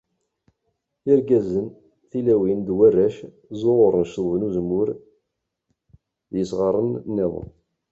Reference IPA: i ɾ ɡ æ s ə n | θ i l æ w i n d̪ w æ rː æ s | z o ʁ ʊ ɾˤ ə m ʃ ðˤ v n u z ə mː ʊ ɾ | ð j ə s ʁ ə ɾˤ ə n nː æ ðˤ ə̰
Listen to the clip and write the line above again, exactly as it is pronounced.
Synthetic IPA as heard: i ɾ ɡ æ z ə n | θ i l æ w i n d̪ w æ rː æ ʃ | z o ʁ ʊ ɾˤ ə n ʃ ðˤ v n u z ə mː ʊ ɾ | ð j ə s ʁ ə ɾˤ ə n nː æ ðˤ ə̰